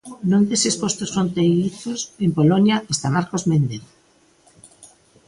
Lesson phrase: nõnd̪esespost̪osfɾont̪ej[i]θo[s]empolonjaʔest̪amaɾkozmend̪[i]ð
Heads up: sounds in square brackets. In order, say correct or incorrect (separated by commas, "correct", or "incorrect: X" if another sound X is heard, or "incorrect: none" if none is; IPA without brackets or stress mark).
correct, correct, incorrect: e